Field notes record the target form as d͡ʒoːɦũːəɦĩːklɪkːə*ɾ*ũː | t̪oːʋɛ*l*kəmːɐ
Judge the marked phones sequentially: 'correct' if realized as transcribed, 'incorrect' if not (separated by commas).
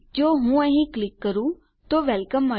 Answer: correct, correct